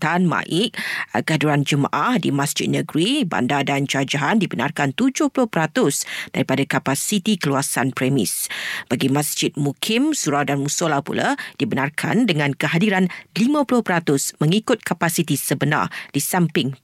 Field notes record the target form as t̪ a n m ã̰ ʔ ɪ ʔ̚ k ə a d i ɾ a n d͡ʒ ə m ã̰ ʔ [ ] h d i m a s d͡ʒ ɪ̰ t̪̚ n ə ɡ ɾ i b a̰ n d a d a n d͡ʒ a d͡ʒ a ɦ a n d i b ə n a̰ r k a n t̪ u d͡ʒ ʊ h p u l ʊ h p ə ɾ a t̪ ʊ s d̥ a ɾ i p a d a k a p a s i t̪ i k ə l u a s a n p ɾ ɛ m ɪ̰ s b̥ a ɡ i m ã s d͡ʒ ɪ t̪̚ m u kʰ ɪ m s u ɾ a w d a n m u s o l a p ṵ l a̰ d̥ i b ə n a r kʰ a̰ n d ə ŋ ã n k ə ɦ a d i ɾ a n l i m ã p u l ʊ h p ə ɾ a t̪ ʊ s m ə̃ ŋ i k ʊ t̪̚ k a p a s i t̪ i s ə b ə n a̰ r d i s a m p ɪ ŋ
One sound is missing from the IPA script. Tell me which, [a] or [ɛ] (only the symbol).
a